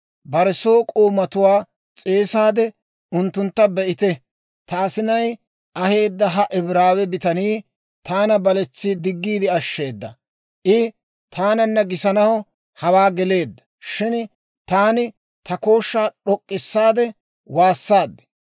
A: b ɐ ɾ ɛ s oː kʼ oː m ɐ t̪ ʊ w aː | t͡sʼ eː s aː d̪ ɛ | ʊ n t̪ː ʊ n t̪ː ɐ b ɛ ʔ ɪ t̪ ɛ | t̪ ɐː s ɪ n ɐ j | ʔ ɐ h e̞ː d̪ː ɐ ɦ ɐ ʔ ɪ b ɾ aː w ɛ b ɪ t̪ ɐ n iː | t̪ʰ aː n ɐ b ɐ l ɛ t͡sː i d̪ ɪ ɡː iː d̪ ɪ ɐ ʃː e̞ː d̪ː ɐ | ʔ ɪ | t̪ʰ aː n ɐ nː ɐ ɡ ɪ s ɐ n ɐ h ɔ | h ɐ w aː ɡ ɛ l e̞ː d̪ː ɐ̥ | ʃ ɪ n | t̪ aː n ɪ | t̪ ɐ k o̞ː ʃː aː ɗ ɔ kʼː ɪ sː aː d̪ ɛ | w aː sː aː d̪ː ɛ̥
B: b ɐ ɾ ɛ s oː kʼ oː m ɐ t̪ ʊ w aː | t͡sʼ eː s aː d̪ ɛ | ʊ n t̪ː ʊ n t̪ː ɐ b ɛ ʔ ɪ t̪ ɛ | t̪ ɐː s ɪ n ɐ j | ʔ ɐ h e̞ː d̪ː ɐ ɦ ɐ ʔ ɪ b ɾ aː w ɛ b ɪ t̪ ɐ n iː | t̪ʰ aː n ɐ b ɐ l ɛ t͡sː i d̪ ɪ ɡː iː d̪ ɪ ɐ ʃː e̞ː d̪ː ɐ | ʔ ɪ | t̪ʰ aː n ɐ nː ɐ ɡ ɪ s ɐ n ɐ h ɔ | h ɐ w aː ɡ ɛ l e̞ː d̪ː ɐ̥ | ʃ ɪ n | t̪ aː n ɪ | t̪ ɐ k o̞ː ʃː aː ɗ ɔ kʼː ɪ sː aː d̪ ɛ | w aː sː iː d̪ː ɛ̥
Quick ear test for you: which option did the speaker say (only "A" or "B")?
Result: A